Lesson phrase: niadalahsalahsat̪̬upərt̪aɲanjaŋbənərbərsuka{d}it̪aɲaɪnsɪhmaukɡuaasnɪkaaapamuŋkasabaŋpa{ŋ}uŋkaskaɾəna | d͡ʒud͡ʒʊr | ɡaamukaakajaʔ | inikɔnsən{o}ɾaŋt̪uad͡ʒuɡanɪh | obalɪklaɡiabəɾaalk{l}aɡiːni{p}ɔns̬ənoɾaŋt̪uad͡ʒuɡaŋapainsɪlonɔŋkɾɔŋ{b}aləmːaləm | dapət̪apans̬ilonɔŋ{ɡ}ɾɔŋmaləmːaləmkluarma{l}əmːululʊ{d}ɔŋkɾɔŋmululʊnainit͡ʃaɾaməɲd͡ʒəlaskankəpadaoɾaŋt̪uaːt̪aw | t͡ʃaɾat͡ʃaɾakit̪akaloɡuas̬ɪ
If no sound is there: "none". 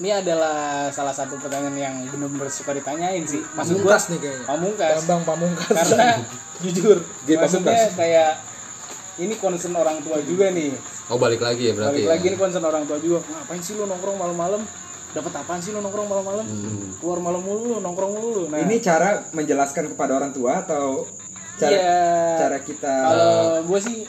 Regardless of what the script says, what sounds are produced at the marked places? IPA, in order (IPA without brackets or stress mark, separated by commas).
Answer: d, m, o, l, k, m, k, l, n